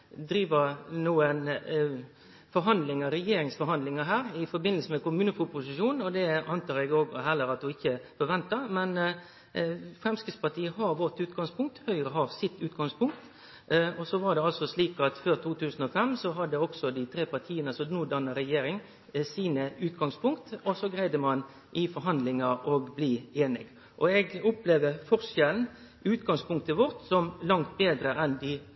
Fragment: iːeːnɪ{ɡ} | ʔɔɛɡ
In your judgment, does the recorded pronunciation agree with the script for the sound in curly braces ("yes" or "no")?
yes